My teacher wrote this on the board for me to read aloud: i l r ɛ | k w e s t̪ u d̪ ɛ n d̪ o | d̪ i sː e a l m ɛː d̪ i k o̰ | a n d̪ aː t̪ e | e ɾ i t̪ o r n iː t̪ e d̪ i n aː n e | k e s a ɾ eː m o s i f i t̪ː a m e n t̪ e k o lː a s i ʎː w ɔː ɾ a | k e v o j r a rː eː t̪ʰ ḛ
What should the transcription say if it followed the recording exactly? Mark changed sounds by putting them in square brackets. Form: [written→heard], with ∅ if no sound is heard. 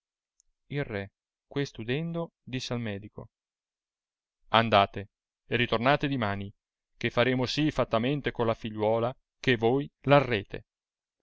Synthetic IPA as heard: i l r ɛ | k w e s t̪ u d̪ ɛ n d̪ o | d̪ i sː e a l m ɛː d̪ i k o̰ | a n d̪ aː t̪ e | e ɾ i t̪ o r n [iː→aː] t̪ e d̪ i [n→m] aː n [e→i] | k e [s→f] a ɾ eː m o s i f [i→a] t̪ː a m e n t̪ e k o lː a [s→f] i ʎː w ɔː [ɾ→l] a | k e v o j [r→l] a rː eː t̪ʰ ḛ